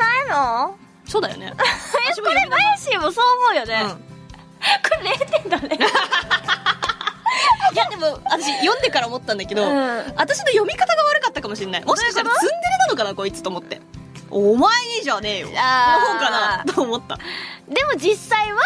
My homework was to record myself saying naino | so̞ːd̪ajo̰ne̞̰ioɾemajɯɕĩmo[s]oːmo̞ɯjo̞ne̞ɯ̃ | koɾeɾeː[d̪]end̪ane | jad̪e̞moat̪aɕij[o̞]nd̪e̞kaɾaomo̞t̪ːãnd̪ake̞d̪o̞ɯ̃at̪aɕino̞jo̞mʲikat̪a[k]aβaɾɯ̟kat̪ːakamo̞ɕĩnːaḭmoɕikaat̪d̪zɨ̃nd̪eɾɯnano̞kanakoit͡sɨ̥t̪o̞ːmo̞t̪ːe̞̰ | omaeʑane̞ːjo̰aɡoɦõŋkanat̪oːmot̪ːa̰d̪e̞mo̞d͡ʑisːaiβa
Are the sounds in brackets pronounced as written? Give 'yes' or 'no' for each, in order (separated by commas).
yes, no, no, no